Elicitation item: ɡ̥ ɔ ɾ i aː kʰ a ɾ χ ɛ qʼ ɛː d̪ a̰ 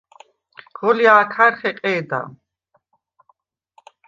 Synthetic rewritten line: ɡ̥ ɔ l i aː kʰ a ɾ χ ɛ qʼ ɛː d̪ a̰